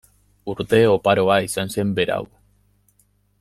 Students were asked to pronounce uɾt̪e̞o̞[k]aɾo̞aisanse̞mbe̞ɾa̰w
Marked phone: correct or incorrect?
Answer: incorrect: p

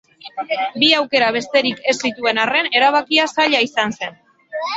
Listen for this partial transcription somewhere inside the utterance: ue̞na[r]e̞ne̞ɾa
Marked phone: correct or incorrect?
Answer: correct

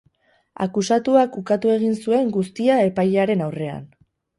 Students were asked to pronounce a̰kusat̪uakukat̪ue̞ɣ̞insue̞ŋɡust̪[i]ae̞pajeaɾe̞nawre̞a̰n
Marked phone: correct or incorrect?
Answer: correct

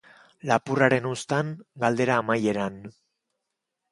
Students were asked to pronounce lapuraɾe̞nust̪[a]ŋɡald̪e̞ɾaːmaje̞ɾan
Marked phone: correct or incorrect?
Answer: correct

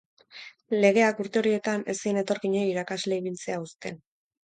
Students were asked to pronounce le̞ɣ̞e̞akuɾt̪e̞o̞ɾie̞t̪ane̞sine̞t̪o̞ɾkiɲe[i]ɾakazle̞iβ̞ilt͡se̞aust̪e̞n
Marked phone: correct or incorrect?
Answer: correct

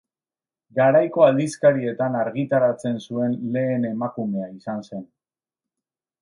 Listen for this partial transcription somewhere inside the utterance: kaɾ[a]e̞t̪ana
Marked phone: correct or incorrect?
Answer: incorrect: i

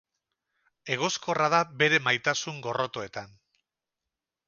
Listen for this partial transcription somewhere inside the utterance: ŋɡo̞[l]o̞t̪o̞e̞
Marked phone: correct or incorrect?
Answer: incorrect: r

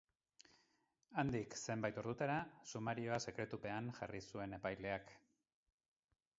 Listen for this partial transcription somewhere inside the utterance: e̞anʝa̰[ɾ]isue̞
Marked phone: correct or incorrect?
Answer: incorrect: r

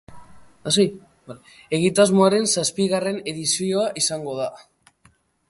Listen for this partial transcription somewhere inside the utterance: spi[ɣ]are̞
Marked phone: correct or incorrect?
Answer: correct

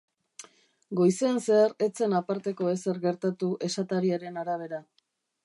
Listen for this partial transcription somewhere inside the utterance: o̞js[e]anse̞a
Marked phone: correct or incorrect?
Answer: correct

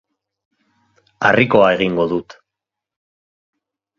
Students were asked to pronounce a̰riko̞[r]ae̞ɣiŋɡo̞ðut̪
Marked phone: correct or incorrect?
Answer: incorrect: none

